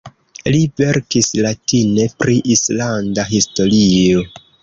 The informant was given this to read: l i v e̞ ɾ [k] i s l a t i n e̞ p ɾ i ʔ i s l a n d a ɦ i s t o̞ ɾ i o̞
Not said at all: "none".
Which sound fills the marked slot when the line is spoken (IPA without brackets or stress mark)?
k